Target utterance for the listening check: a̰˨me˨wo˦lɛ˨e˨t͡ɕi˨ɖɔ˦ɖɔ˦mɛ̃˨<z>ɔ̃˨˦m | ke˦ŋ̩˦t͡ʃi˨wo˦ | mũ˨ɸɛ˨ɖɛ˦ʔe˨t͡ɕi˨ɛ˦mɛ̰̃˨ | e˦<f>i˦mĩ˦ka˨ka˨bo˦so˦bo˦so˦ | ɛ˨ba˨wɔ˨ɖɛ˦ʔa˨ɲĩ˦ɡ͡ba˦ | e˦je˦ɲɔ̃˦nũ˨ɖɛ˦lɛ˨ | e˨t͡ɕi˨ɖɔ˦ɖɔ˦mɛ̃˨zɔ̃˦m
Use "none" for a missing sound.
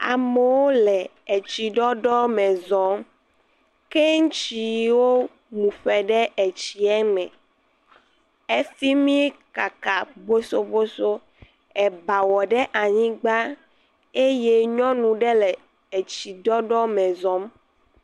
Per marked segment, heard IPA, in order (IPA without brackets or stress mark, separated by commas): z, s